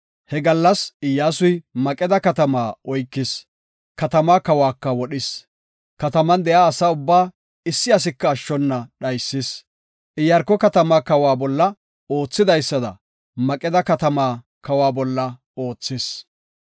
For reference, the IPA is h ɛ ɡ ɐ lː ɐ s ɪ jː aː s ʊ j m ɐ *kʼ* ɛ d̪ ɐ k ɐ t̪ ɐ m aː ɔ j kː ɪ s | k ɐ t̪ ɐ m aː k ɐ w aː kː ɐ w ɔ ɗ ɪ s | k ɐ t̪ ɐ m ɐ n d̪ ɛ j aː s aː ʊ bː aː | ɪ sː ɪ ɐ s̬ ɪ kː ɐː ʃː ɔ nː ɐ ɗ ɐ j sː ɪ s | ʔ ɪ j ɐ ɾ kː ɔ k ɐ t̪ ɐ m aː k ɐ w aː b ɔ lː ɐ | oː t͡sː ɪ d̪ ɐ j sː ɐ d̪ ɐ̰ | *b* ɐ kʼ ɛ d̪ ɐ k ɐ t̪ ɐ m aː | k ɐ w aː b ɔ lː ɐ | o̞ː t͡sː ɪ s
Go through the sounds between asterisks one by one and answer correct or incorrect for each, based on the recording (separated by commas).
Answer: correct, incorrect